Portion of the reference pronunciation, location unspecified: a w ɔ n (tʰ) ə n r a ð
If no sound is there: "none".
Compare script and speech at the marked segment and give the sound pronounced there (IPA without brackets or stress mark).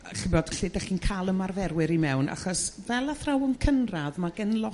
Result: kʰ